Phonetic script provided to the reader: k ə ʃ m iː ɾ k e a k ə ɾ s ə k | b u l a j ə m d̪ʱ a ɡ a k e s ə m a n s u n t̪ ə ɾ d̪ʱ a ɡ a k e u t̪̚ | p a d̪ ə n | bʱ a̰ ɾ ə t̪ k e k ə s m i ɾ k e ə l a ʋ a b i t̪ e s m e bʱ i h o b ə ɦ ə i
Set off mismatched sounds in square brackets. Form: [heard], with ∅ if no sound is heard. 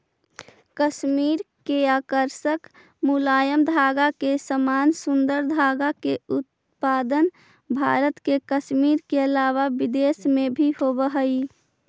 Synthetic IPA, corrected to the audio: k ə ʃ m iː ɾ k e a k ə ɾ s ə k | [m] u l a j ə m d̪ʱ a ɡ a k e s ə m a n s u n [d̪] ə ɾ d̪ʱ a ɡ a k e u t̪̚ | p a d̪ ə n | bʱ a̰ ɾ ə t̪ k e k ə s m i ɾ k e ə l a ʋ a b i [d̪] e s m e bʱ i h o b ə ɦ ə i